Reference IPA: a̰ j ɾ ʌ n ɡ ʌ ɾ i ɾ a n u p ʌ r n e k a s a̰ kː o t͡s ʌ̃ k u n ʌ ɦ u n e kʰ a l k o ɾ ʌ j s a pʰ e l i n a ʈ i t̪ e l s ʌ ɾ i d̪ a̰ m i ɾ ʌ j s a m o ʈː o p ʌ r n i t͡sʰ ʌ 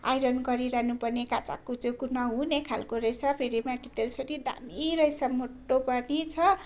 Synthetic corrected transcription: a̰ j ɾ ʌ n ɡ ʌ ɾ i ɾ a n u p ʌ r n e k a t͡s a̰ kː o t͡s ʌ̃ k u n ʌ ɦ u n e kʰ a l k o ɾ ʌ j s a pʰ e ɾ i m a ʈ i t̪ e l s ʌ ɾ i d̪ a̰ m i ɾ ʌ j s a m o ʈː o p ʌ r n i t͡sʰ ʌ